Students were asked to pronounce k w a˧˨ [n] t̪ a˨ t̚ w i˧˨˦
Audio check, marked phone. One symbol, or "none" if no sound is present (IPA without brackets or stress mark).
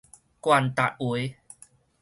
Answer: n